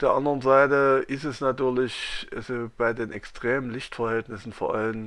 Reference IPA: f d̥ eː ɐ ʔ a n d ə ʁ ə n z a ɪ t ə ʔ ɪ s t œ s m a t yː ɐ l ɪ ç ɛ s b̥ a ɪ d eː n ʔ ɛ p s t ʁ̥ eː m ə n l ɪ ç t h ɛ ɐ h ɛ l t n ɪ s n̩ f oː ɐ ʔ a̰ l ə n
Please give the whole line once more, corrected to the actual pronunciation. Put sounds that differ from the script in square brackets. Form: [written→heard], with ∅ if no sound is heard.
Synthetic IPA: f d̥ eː ɐ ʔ a n d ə ʁ ə n z a ɪ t ə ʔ ɪ s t [œ→ɛ] s [m→n] a t yː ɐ l ɪ ç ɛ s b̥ a ɪ d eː n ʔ ɛ [p→k] s t ʁ̥ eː m ə n l ɪ ç t [h→f] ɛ ɐ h ɛ l t n ɪ s n̩ f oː ɐ ʔ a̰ l ə n